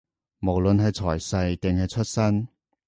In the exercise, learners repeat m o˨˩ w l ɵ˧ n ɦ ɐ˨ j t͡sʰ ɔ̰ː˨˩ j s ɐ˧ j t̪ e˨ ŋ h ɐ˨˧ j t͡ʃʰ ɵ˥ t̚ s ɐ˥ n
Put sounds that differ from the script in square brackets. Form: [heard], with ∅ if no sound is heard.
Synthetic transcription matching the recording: m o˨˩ w l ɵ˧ n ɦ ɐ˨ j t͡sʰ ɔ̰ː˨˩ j s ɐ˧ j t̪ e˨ ŋ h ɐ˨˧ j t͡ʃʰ ɵ˥ t̚ s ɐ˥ n